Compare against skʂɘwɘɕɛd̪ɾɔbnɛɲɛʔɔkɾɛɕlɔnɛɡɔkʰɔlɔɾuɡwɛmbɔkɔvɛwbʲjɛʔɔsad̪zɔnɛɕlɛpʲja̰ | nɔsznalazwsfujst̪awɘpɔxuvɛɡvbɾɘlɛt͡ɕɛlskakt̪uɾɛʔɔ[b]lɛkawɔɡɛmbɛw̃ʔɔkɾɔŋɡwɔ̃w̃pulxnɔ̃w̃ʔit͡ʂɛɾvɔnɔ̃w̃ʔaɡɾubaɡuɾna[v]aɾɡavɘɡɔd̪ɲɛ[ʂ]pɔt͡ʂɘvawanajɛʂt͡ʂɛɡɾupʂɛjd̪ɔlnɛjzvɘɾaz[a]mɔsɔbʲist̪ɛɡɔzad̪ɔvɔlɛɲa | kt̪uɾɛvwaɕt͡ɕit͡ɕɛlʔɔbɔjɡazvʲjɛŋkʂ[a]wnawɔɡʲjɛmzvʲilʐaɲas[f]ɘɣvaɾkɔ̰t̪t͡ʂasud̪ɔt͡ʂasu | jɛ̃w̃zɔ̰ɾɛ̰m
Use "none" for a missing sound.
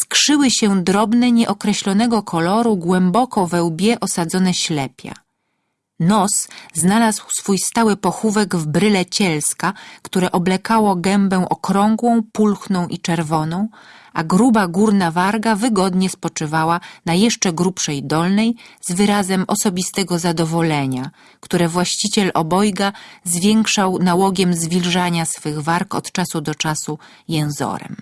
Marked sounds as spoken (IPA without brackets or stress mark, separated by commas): b, v, s, ɛ, a, f